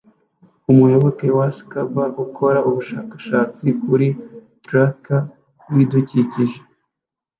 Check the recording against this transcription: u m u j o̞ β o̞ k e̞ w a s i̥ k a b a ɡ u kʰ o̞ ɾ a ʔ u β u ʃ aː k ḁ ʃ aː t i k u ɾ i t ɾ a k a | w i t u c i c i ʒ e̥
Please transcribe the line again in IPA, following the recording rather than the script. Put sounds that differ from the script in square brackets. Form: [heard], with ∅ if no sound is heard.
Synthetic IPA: u m u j o̞ β o̞ k e̞ w a s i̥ k a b a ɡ u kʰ o̞ ɾ a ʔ u β u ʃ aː k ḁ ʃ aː [t͡s] i k u ɾ i t ɾ a k a | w i [d] u c i c i ʒ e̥